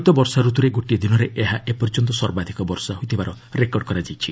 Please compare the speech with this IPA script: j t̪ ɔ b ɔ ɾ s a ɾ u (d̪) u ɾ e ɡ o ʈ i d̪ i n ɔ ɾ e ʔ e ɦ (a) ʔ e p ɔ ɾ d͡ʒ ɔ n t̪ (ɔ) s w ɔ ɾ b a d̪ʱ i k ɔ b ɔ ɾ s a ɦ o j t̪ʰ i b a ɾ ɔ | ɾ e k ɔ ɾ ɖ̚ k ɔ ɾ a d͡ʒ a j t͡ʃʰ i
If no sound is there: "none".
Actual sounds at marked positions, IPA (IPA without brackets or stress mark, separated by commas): t̪, a, ɔ